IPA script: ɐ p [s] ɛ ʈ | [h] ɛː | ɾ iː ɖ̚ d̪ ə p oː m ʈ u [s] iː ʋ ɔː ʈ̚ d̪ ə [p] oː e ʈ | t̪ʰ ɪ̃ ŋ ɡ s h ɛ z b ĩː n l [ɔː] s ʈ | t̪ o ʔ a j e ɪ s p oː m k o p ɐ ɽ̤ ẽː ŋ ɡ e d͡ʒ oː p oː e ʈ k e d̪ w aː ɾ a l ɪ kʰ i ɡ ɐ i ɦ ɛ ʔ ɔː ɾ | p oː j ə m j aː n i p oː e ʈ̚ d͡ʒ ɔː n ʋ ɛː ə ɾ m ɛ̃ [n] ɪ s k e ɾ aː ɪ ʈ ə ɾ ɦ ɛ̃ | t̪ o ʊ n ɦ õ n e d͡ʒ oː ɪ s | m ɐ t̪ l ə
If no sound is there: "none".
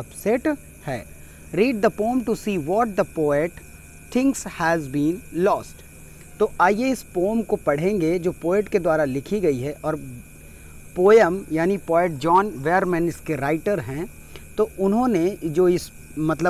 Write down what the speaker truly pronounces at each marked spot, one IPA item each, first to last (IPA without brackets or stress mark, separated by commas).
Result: s, h, s, p, ɔː, n